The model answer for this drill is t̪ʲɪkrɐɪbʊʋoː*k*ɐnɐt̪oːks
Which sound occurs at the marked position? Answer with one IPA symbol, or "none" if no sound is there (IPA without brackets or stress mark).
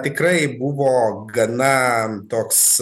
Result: ɡ